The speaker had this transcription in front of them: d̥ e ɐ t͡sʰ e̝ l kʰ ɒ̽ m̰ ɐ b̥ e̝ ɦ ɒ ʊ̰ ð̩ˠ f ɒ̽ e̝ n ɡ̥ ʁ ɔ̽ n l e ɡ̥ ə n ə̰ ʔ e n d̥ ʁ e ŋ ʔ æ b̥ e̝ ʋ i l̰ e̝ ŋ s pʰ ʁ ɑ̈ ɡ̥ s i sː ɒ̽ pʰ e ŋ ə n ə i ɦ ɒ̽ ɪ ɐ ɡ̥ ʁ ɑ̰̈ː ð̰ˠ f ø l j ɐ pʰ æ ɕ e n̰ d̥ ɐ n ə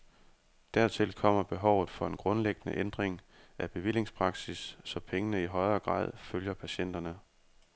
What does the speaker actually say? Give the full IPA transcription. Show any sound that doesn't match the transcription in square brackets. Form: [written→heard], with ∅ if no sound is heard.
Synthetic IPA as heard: d̥ [e→æ] ɐ t͡sʰ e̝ l kʰ ɒ̽ m̰ ɐ b̥ e̝ ɦ ɒ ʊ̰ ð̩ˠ f ɒ̽ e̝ n ɡ̥ ʁ ɔ̽ n l e ɡ̥ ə n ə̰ ʔ e n d̥ ʁ e ŋ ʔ æ b̥ e̝ ʋ i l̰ e̝ ŋ s pʰ ʁ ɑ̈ ɡ̥ s i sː ɒ̽ pʰ e ŋ ə n ə i ɦ ɒ̽ ɪ ɐ ɡ̥ ʁ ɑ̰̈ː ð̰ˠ f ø l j ɐ pʰ æ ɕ e n̰ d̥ ɐ n ə

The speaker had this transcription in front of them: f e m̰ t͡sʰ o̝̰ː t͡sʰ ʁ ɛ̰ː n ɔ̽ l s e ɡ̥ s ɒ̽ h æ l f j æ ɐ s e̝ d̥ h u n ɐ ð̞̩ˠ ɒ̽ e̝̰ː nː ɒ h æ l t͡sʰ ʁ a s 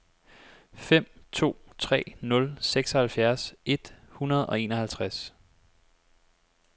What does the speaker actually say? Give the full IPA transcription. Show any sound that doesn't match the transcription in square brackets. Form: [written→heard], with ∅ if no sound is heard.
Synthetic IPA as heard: f e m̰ t͡sʰ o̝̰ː t͡sʰ ʁ ɛ̰ː n ɔ̽ l s e ɡ̥ s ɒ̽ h æ l f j æ ɐ s e̝ d̥ h u n ɐ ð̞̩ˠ ɒ̽ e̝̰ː [nː→n] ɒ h æ l t͡sʰ ʁ a s

